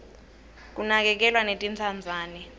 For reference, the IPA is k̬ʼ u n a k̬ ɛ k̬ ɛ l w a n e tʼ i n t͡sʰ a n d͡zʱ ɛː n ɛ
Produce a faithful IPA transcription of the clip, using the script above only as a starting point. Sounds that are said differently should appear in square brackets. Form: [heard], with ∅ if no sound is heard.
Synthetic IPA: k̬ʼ u n a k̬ ɛ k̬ ɛ l w a n e tʼ i n t͡sʰ a n d͡zʱ [aː] n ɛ